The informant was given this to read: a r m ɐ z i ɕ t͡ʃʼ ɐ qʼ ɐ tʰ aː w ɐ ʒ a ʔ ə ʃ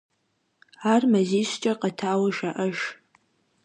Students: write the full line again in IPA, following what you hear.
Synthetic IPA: a r m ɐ z i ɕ t͡ʃʼ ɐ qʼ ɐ tʰ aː w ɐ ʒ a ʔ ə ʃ

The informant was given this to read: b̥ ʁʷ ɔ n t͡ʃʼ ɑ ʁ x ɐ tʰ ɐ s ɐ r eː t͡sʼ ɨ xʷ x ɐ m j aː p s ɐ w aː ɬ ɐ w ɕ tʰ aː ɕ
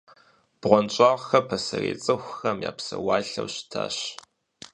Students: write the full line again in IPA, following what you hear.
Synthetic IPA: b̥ ʁʷ ɔ n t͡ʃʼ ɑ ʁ x ɐ pʰ ɐ s ɐ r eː t͡sʼ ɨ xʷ x ɐ m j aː p s ɐ w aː ɬ ɐ w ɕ tʰ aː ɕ

